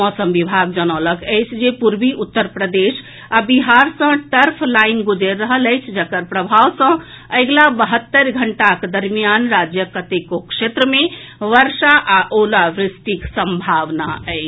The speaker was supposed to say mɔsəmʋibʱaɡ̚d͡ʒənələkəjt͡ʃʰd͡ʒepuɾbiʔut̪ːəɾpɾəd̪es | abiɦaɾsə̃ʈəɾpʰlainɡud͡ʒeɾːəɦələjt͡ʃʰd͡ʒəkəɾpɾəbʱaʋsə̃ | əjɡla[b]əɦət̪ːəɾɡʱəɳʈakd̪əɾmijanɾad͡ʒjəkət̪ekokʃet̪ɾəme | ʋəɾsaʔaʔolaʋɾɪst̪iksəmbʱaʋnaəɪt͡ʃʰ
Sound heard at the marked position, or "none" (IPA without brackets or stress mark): b